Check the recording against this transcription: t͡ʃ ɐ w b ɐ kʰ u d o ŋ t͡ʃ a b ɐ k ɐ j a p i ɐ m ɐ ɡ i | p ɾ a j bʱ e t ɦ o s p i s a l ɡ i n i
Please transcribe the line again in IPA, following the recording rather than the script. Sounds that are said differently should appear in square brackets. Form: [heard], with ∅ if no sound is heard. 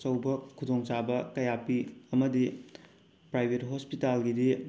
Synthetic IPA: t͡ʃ ɐ w b ɐ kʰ u d o ŋ t͡ʃ a b ɐ k ɐ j a p i ɐ m ɐ [d] i | p ɾ a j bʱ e t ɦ o s p i [t] a l ɡ i [d] i